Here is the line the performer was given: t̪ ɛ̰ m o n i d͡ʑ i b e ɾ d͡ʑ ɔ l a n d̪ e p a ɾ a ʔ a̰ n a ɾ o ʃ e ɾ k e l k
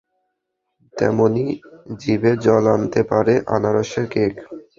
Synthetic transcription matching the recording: t̪ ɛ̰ m o n i d͡ʑ i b e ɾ d͡ʑ ɔ l a n t̪ e p a ɾ e ʔ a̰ n a ɾ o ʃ e ɾ k e k